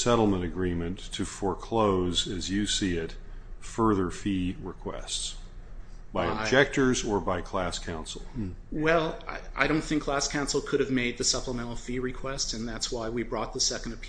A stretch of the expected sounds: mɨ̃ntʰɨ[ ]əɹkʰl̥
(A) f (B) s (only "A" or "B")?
A